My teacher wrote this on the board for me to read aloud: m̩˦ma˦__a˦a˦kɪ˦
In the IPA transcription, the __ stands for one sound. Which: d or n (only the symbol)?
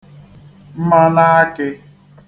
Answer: n